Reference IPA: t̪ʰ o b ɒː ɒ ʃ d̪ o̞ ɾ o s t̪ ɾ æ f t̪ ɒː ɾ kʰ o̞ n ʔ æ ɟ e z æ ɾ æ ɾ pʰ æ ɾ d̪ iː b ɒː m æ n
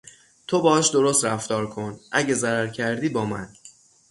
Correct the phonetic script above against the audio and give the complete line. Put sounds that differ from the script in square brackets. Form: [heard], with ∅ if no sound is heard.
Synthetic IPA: t̪ʰ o b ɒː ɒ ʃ d̪ o̞ ɾ o s t̪ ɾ æ f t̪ ɒː ɾ kʰ o̞ n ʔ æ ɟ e z æ ɾ æ ɾ [cʰ] æ ɾ d̪ iː b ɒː m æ n